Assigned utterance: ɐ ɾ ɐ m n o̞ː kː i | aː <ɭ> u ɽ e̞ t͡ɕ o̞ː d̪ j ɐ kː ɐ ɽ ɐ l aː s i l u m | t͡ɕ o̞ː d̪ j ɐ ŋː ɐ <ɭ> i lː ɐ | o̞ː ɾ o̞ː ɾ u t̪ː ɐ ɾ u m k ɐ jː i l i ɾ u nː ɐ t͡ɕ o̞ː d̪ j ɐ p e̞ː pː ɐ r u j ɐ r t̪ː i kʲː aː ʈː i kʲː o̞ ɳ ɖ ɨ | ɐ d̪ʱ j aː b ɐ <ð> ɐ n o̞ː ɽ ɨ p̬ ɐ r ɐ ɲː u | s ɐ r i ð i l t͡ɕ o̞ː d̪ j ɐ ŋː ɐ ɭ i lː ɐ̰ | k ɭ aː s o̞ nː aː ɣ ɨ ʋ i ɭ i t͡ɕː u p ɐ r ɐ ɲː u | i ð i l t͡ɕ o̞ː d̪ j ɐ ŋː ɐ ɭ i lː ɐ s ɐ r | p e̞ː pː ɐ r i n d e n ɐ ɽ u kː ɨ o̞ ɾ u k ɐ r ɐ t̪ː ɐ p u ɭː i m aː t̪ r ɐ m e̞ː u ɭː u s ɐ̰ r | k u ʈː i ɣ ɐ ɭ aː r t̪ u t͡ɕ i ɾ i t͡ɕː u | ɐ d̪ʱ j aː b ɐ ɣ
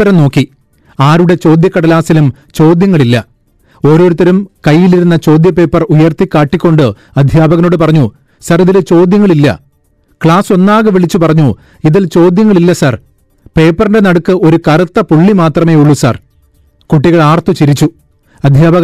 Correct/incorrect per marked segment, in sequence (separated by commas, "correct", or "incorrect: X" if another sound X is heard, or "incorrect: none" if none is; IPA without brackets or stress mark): incorrect: ɾ, correct, incorrect: ɣ